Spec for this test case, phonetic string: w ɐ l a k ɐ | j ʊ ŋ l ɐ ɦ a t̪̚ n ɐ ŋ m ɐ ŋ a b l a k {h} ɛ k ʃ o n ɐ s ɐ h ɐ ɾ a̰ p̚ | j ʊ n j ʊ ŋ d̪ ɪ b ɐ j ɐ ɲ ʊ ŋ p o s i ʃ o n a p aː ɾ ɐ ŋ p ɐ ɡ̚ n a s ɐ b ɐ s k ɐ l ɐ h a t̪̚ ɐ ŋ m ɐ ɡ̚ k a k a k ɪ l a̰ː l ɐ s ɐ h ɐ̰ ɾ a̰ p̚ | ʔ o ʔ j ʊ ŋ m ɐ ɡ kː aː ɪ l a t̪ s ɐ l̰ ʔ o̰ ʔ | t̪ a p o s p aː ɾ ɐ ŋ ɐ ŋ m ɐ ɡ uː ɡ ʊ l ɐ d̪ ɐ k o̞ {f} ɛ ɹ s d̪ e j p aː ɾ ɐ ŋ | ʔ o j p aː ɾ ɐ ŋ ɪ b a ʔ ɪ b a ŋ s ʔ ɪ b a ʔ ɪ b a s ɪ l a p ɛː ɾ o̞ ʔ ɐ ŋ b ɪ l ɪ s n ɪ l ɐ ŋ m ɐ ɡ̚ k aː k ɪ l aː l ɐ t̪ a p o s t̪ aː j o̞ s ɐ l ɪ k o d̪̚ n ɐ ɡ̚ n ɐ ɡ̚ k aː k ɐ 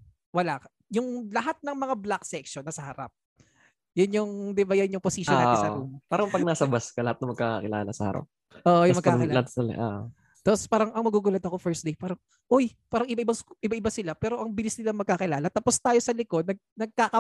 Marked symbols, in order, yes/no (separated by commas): no, yes